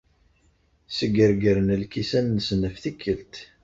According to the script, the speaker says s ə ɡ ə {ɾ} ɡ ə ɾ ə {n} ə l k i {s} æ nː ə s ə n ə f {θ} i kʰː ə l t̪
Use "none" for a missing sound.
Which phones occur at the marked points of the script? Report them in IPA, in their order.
ɾ, n, s, θ

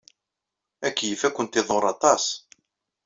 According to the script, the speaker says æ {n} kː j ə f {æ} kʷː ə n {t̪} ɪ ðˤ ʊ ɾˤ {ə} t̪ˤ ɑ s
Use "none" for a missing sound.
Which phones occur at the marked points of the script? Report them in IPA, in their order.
none, æ, t̪, ɑ

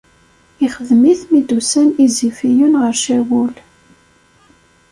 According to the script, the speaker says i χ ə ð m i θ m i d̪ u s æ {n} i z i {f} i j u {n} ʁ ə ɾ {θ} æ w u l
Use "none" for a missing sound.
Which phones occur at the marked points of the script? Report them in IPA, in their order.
n, f, n, ʃ

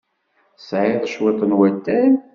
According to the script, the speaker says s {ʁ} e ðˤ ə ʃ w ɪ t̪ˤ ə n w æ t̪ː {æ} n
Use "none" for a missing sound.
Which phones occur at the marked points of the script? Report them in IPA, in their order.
ʕ, æ

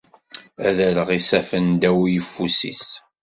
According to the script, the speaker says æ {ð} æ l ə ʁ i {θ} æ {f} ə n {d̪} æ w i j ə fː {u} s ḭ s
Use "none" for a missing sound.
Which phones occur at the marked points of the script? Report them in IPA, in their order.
ð, s, f, d̪, u

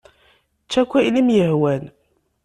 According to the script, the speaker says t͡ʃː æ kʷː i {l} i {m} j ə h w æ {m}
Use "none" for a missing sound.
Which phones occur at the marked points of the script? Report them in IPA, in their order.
l, m, n

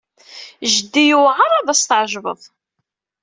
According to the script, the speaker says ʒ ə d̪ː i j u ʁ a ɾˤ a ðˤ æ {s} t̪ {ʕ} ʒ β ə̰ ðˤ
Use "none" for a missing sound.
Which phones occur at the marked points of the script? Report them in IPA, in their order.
s, ʕ

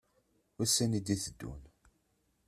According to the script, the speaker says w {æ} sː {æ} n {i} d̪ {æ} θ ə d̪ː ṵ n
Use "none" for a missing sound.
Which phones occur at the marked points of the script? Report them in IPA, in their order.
æ, æ, i, i

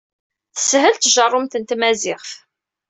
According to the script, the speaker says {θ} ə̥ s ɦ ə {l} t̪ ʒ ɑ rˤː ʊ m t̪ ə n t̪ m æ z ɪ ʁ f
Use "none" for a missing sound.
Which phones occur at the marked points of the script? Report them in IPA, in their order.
θ, l

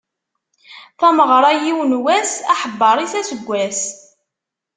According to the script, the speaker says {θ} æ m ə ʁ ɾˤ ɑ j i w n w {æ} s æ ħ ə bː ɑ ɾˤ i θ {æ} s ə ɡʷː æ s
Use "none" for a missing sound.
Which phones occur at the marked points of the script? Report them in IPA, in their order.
θ, æ, æ

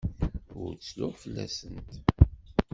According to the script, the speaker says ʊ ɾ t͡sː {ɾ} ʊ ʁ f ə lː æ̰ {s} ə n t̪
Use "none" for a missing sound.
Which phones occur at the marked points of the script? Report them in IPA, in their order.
l, s

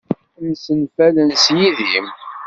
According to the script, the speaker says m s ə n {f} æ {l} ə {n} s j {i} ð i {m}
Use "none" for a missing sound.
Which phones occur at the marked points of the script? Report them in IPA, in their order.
f, l, n, i, m

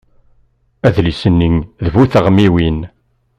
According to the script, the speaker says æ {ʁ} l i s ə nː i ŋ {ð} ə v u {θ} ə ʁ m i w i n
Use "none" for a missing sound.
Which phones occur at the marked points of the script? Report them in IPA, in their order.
ð, ð, θ

